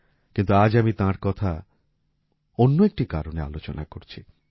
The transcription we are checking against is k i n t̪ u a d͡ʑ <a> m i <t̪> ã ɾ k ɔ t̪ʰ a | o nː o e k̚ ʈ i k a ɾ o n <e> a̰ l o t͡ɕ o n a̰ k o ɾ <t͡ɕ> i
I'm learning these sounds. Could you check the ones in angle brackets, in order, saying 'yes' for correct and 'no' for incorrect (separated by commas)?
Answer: yes, yes, yes, no